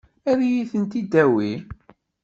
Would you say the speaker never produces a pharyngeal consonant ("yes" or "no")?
yes